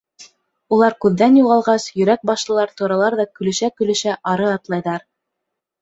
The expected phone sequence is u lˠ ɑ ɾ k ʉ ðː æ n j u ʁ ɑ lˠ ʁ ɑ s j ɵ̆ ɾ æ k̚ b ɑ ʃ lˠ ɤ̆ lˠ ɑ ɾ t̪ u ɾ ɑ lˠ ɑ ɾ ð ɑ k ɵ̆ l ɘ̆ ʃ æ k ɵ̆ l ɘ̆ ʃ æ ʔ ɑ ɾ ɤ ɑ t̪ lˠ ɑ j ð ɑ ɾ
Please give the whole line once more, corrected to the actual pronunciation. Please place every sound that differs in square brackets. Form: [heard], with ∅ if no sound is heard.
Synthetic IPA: u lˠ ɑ ɾ k ʉ ðː æ n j u ʁ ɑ lˠ ʁ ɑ s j ɵ̆ ɾ æ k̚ b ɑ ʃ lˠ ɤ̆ lˠ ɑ ɾ t̪ u ɾ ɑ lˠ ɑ ɾ ð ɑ k ɵ̆ l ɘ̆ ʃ æ k ɵ̆ l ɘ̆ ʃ æ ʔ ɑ ɾ ɤ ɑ t̪ lˠ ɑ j ð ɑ ɾ